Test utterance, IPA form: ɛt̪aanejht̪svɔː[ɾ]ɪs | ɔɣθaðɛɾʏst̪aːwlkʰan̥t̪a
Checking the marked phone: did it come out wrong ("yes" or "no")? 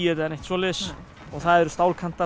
yes